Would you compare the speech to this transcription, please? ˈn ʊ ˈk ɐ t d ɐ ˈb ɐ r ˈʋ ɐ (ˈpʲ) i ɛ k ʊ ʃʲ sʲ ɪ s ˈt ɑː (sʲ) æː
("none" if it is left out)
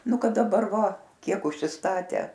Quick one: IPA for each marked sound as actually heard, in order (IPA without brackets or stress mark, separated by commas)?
kʲ, tʲ